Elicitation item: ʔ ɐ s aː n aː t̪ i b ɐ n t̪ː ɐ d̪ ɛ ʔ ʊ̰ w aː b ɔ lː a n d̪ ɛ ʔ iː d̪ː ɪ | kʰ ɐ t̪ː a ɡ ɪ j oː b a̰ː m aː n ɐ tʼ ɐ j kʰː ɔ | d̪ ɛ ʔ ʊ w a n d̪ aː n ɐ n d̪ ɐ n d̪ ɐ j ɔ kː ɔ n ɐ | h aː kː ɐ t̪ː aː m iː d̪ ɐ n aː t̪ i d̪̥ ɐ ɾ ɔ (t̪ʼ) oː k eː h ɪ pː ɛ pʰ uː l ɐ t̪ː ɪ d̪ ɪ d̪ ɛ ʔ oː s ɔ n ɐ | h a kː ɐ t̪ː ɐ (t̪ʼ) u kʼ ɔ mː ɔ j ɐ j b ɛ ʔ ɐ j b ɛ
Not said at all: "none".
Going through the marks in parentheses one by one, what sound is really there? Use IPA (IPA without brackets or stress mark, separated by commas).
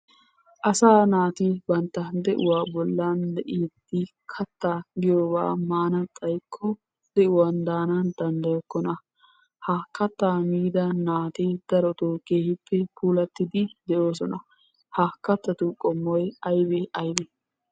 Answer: t̪, t̪